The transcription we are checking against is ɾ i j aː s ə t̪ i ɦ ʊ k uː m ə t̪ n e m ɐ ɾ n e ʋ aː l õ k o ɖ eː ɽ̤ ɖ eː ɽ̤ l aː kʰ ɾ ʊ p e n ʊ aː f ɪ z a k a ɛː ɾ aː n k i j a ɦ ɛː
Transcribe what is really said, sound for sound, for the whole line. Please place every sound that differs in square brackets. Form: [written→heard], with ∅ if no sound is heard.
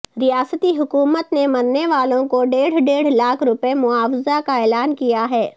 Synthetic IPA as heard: ɾ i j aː s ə t̪ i ɦ ʊ k uː m ə t̪ n e m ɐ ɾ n e ʋ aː l õ k o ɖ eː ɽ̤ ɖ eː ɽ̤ l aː kʰ ɾ ʊ p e [n→m] ʊ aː f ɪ z a k a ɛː [ɾ→l] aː n k i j a ɦ ɛː